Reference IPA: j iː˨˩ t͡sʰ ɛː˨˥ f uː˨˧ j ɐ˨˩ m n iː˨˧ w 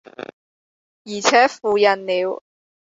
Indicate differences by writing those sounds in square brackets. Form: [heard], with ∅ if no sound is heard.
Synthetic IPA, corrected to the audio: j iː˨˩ t͡sʰ ɛː˨˥ f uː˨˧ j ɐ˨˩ [n] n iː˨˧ w